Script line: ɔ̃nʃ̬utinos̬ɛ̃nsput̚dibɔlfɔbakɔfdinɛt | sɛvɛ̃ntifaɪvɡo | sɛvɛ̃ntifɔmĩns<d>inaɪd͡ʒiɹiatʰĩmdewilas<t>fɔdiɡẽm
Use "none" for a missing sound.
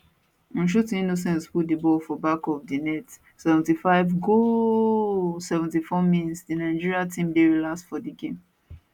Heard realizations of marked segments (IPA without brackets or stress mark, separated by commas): d, t